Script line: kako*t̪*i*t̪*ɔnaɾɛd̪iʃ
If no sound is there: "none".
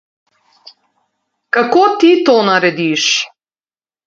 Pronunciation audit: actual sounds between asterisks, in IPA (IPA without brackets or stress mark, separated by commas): t̪, t̪